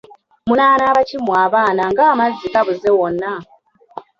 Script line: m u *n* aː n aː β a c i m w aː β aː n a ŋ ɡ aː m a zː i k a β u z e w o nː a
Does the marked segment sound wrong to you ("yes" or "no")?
no